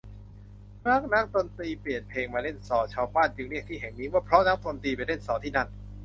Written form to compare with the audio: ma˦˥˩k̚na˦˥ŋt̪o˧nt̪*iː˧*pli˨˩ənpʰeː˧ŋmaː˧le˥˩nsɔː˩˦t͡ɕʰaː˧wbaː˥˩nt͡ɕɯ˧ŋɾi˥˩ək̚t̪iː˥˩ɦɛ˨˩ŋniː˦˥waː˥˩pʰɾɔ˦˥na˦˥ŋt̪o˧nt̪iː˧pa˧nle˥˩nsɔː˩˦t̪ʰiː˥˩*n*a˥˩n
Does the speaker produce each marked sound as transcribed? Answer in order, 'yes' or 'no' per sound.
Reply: yes, yes

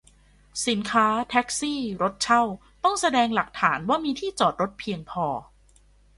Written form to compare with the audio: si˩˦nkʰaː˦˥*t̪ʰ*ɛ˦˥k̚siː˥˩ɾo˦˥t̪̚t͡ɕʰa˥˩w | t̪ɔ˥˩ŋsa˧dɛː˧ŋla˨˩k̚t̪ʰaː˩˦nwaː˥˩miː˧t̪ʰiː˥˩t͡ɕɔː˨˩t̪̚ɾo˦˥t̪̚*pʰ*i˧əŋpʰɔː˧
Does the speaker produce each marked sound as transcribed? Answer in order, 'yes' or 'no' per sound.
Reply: yes, yes

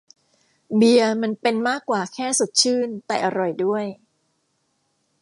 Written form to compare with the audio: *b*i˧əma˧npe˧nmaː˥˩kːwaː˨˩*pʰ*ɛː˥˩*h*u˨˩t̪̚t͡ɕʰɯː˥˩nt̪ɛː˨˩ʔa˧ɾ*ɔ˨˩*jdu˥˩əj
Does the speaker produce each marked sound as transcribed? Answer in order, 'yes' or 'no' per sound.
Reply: yes, no, no, yes

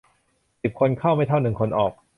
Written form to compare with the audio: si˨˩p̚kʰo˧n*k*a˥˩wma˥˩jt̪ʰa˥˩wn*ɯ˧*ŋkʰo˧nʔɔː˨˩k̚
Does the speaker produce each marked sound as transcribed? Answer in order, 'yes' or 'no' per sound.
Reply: no, no

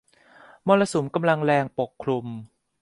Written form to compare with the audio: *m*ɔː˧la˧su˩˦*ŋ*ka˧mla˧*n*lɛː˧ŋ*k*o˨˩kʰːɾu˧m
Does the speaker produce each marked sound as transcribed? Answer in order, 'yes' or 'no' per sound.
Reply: yes, no, no, no

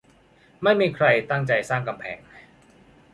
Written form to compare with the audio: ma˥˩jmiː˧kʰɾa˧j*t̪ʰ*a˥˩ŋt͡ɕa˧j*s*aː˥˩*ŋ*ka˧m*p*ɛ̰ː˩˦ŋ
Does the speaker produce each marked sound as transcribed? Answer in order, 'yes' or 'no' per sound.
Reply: no, yes, yes, no

